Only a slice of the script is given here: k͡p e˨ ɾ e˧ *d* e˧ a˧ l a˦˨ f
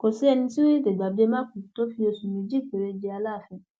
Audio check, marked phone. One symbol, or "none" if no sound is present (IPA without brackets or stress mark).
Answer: d͡ʒ